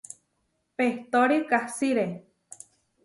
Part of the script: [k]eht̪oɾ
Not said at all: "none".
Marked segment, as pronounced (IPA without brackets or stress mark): p